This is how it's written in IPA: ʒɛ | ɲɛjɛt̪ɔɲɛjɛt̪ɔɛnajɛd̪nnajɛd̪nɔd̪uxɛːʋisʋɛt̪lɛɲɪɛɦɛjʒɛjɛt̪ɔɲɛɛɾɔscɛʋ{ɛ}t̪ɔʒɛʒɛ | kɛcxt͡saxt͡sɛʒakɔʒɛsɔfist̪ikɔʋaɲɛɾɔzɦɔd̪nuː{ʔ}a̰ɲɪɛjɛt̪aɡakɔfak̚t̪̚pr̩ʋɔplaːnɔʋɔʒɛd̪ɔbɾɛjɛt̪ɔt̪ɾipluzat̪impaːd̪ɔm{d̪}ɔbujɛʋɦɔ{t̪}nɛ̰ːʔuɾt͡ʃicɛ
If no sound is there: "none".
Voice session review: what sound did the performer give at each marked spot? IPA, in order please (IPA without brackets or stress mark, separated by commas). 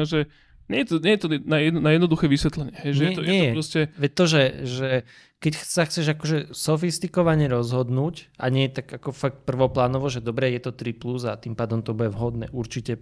ɛ, c, t̪, d̪